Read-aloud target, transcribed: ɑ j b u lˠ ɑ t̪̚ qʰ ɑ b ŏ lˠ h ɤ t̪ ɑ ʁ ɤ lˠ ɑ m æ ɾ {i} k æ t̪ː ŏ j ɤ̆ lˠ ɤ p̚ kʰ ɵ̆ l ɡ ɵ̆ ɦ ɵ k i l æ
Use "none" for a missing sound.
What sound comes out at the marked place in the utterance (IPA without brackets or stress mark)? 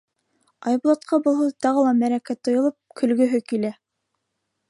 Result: æ